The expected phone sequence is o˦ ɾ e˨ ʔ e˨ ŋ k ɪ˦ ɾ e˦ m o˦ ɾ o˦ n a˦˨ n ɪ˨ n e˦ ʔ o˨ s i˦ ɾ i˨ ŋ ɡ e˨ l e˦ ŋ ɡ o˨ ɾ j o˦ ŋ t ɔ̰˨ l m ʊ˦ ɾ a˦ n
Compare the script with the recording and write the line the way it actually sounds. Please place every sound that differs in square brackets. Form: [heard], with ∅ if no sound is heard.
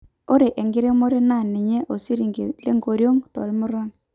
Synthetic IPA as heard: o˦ ɾ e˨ ʔ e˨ ŋ [ɡ] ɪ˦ ɾ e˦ m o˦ ɾ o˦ n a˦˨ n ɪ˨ [ɲ] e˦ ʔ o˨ s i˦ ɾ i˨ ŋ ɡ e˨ l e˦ ŋ ɡ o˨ ɾ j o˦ ŋ t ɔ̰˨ l m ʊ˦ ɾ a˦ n

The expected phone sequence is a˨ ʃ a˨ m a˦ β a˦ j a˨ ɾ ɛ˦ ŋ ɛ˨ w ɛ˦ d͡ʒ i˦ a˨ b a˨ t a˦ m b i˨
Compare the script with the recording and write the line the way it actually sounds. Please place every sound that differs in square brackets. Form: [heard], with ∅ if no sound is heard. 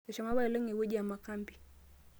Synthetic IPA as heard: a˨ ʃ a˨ m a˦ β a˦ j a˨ [l] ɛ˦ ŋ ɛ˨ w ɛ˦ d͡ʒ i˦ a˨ [m] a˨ [k] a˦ m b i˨

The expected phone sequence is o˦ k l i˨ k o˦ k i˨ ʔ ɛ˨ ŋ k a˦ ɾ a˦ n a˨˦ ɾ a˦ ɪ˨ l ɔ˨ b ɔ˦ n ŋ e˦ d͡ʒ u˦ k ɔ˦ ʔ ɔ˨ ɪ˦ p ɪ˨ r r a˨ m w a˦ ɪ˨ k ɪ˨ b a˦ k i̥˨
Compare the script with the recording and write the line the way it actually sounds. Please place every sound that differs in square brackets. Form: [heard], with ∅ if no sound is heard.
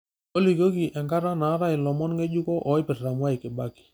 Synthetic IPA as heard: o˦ [∅] l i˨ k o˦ k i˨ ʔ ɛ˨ ŋ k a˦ ɾ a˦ n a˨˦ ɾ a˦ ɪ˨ l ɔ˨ [m] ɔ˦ n ŋ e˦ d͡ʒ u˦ k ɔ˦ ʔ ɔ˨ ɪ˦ p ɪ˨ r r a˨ m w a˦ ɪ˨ k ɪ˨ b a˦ k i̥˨

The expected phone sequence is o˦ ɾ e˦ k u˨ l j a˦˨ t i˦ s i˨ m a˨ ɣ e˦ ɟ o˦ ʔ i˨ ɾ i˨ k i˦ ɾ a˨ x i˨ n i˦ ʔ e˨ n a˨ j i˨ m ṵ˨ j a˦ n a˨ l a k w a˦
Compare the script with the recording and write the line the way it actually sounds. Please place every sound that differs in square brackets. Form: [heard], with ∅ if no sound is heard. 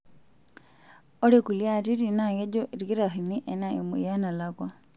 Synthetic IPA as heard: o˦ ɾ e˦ k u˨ l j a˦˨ t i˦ [t] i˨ [n] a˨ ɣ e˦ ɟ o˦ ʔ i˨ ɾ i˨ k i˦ ɾ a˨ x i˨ n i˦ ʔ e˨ n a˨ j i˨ m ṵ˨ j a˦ n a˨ l a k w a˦

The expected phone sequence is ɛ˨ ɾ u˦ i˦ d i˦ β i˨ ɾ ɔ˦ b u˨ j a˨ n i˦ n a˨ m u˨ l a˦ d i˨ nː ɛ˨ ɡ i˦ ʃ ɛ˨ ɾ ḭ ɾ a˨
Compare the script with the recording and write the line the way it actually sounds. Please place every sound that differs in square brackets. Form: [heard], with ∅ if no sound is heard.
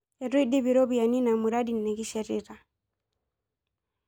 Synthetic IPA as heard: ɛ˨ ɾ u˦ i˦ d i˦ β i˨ ɾ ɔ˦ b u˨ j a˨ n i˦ n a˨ m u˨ [ɾ] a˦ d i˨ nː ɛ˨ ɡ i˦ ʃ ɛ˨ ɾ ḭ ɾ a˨

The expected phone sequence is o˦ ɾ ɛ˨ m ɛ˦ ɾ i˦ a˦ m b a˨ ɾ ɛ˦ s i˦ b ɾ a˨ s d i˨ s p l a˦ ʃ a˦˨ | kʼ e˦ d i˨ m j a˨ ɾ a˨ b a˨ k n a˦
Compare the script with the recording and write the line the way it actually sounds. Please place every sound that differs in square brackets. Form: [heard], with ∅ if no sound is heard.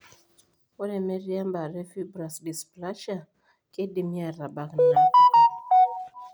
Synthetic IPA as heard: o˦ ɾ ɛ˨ m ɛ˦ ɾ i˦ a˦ m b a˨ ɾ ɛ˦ [f] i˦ b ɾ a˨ s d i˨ s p l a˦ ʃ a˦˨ | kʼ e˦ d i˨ m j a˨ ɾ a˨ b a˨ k n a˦

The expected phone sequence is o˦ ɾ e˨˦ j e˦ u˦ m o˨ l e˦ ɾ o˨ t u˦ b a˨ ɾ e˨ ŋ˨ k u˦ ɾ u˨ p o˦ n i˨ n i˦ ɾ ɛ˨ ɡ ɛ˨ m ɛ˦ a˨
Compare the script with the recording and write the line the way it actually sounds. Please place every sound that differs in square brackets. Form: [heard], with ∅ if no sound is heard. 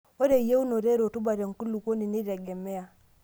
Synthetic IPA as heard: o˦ ɾ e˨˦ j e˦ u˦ [n] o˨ [ɾ] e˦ ɾ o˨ t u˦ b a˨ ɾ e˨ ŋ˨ k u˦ [l] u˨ [k] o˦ n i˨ n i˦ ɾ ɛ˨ ɡ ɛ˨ m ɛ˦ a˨

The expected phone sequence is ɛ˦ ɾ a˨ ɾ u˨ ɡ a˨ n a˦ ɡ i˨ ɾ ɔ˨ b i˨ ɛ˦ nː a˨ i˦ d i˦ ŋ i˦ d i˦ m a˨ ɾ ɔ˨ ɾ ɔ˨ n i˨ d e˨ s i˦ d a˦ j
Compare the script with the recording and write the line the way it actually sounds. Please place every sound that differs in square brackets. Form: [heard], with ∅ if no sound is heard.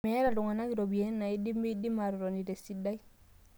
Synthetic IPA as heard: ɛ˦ ɾ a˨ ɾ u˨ [ŋ] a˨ n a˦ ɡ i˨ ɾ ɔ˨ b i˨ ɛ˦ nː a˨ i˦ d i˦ [m] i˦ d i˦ m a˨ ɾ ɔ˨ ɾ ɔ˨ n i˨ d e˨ s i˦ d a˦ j

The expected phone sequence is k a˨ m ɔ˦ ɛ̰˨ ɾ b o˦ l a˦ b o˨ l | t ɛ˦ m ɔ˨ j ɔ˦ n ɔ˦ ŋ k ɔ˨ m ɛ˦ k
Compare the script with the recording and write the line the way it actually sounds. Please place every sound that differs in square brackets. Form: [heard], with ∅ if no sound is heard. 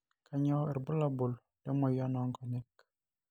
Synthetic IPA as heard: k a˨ [ɲ] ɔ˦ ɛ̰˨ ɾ b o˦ l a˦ b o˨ l | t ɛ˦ m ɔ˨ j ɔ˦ n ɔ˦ ŋ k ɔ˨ [n] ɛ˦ k

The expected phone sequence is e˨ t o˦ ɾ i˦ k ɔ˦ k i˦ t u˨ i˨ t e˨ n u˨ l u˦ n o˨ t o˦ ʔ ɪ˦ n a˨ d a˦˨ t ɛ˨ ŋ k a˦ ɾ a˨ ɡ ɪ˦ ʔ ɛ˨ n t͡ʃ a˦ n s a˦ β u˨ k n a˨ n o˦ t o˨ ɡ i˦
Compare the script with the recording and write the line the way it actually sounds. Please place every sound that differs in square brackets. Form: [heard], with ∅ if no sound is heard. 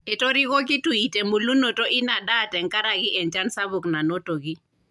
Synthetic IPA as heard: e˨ t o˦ ɾ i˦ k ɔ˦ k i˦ t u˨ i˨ t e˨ [m] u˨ l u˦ n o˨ t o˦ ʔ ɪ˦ n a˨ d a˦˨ t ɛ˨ ŋ k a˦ ɾ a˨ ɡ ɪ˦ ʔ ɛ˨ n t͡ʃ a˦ n s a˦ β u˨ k n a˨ n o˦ t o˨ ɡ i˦

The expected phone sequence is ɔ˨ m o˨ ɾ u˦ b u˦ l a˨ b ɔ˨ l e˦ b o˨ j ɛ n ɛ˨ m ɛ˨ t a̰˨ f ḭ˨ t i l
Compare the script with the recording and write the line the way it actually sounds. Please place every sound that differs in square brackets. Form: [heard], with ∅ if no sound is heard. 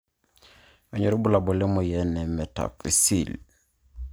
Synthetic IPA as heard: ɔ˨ [ɲ] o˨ ɾ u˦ b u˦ l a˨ b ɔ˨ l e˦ [m] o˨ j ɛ n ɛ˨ m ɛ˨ t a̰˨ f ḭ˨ [s] i l

